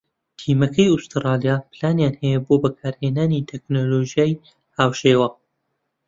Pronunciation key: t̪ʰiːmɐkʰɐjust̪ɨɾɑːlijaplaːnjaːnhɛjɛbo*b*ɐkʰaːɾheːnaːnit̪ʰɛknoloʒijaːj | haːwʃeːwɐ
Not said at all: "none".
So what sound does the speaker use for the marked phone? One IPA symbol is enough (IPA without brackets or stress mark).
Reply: b